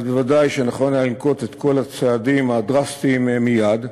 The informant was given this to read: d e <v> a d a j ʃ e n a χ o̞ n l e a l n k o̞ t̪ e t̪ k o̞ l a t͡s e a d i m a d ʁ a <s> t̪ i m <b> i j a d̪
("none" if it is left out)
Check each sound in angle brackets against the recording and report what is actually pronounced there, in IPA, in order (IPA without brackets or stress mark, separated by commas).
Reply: v, s, m